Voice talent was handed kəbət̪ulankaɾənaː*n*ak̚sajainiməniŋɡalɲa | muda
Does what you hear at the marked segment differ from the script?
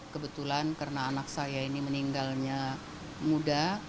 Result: no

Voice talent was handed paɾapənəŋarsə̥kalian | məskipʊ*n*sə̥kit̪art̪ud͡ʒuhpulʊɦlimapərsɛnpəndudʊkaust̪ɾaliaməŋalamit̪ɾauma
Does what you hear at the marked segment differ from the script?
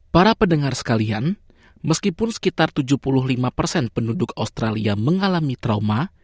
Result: no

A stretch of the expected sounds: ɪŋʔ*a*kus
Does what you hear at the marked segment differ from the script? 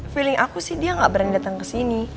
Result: no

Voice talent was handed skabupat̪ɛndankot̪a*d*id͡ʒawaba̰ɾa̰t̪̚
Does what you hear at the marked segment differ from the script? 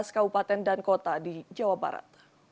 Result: no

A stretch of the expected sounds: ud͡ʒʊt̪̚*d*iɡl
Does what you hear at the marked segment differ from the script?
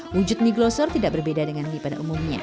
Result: yes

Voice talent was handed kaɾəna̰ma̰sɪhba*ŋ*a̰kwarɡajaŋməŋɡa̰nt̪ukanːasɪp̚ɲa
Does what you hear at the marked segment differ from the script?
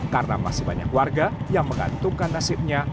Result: yes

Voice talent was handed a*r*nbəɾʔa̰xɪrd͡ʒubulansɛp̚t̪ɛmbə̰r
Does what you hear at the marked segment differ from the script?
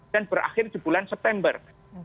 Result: yes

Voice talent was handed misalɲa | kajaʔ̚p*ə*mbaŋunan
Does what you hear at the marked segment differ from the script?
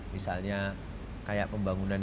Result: no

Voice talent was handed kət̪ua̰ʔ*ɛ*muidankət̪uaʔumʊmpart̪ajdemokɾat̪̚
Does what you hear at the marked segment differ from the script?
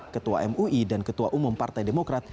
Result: no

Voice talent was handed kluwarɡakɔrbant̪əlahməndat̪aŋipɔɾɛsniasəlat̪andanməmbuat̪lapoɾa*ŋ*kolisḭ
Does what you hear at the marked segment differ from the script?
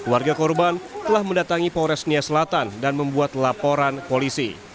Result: yes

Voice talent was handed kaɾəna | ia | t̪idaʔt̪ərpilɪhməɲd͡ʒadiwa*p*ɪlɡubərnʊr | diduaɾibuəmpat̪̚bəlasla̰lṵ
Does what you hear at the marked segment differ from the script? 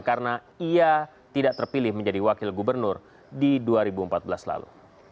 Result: yes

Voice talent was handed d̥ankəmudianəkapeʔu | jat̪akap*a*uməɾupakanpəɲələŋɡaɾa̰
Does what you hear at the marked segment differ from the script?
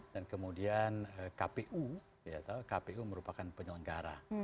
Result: yes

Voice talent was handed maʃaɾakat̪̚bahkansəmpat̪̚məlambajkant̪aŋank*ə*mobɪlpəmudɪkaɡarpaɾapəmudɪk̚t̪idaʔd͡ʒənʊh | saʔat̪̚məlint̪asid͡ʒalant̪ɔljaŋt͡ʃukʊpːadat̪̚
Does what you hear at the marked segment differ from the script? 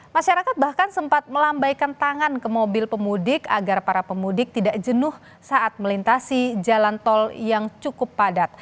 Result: no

